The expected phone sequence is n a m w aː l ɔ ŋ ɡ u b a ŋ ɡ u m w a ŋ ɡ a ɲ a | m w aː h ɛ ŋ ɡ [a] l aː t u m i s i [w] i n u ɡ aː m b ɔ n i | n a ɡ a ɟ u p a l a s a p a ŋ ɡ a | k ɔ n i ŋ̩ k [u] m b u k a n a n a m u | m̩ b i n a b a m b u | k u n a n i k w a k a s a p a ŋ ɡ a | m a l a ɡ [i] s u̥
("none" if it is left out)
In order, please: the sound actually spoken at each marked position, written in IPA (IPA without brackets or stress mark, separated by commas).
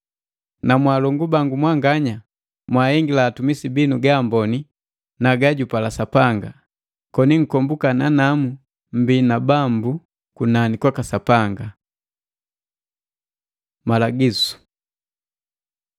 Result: i, b, ɔ, i